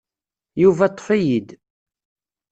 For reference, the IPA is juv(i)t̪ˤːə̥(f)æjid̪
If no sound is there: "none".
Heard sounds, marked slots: æ, f

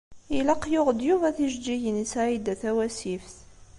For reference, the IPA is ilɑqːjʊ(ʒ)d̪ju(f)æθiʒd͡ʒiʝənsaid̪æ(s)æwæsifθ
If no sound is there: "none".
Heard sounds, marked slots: ʁ, v, θ

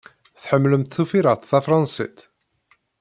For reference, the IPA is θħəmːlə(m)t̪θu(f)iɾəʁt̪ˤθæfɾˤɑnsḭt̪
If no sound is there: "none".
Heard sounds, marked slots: m, f

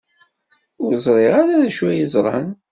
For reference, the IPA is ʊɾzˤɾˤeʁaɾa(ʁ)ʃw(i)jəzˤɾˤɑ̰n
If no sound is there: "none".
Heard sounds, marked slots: ð, æ

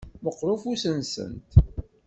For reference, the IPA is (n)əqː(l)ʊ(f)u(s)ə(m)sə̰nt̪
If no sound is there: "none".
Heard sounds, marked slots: m, ɾ, f, s, n

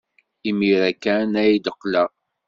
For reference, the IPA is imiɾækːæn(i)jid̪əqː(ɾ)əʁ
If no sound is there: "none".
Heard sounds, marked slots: æ, l

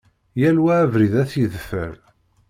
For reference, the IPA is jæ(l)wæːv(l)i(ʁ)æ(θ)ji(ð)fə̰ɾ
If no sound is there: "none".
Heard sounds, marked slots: l, ɾ, ð, θ, ð

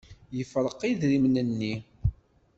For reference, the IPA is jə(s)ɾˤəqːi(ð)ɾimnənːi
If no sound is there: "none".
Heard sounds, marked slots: f, ð

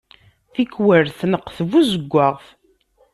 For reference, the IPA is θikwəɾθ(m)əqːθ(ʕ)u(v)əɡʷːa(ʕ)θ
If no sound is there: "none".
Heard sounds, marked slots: n, v, z, ʁ

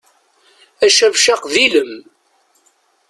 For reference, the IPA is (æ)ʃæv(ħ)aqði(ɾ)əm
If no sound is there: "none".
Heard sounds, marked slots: æ, ʃ, l

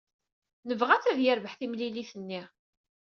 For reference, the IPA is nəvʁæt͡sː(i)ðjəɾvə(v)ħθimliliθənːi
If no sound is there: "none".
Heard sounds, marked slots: æ, none

